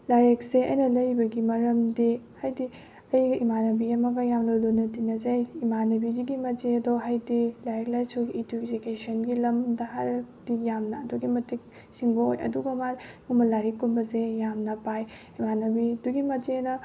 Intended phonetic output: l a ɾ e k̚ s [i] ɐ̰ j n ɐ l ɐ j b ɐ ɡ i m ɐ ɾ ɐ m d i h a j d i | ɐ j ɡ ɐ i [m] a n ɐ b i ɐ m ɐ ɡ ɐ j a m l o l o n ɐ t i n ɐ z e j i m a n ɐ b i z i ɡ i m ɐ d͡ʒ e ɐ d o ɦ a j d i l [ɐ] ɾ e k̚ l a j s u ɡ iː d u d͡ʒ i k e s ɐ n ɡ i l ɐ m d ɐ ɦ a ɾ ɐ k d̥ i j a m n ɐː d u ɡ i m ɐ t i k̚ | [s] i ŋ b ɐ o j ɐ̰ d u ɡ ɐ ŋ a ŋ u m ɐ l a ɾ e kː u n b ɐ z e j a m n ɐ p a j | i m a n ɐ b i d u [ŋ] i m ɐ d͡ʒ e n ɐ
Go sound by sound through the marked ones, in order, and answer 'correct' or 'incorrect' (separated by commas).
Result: incorrect, correct, incorrect, correct, incorrect